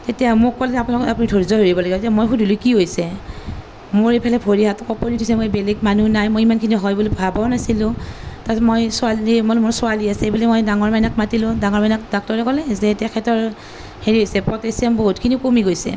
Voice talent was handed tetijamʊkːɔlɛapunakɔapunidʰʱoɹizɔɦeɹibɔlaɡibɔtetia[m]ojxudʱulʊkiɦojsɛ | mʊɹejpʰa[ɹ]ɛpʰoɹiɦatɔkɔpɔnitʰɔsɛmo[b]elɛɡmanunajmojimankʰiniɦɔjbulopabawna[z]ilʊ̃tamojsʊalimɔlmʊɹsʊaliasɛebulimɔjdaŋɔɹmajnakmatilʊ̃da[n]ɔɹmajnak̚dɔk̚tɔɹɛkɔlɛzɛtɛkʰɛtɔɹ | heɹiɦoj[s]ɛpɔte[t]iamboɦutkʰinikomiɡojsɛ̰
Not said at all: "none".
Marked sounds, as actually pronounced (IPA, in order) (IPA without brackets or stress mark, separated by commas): m, l, b, s, ŋ, s, s